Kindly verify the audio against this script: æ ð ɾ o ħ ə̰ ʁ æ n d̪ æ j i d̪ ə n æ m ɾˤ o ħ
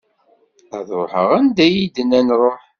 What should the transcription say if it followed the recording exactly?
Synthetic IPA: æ ð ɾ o ħ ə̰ ʁ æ n d̪ æ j i d̪ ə n æ n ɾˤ o ħ